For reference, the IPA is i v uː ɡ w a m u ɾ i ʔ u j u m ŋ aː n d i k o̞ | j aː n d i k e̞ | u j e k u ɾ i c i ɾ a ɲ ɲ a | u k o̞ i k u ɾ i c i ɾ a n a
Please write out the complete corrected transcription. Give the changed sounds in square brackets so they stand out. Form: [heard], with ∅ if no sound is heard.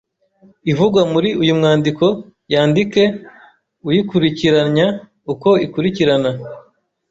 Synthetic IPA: i v [u] ɡ w a m u ɾ i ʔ u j u m ŋ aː n d i k o̞ | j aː n d i k e̞ | u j [i] k u ɾ i c i ɾ a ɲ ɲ a | u k o̞ i k u ɾ i c i ɾ a n a